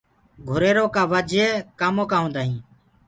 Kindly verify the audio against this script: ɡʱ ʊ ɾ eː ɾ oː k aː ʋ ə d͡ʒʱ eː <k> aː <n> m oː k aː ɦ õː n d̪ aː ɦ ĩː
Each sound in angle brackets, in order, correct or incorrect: correct, incorrect

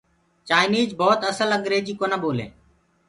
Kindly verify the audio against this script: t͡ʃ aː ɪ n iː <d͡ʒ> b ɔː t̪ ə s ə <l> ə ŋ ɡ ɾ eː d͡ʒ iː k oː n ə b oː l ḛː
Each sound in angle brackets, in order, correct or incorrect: correct, correct

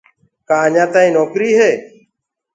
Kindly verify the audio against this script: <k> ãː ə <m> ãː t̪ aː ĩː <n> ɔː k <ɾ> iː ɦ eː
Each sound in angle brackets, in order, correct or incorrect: correct, incorrect, correct, correct

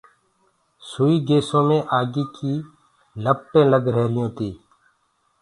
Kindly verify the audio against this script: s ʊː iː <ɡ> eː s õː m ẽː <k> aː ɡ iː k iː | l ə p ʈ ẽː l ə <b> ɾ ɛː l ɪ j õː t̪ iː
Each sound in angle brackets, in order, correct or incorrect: correct, incorrect, incorrect

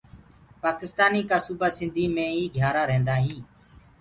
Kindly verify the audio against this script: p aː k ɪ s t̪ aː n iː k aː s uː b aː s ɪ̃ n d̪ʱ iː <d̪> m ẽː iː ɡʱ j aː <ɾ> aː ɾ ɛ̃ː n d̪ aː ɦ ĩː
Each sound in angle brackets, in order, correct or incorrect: incorrect, correct

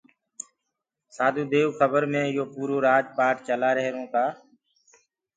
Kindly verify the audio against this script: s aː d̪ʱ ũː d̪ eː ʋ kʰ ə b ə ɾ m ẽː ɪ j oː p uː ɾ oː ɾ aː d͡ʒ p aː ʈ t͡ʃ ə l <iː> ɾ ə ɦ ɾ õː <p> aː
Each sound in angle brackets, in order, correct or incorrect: incorrect, incorrect

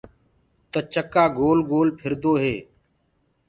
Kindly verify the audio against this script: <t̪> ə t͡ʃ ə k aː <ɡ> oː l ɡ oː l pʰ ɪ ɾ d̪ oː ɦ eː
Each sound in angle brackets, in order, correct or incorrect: correct, correct

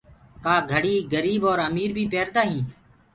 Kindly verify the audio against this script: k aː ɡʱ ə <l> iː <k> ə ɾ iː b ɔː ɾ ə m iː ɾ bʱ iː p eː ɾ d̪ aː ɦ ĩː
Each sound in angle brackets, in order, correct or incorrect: incorrect, incorrect

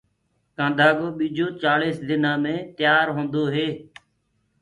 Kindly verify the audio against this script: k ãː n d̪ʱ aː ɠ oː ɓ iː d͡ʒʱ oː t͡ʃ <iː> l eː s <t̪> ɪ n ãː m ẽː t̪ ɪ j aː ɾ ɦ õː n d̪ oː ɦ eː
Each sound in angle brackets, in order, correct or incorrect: incorrect, incorrect

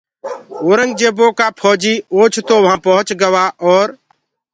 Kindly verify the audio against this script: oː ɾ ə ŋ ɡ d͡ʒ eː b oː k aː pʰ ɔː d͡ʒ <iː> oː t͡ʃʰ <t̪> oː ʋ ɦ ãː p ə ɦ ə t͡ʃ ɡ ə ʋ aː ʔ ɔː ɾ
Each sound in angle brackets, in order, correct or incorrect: correct, correct

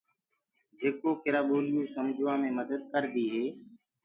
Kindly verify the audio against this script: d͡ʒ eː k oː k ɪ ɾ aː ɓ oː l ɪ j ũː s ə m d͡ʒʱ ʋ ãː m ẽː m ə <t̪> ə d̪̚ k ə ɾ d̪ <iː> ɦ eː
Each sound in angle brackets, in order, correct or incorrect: incorrect, correct

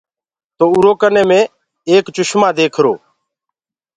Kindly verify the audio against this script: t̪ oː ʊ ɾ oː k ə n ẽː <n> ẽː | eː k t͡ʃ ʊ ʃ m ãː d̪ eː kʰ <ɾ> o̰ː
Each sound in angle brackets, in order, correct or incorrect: incorrect, correct

